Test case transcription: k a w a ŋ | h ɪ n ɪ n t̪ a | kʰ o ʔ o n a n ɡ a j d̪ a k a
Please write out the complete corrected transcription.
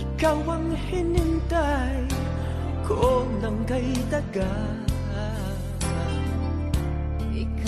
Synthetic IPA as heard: k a w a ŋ | h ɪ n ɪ n t̪ a | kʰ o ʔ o n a ŋ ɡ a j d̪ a ɡ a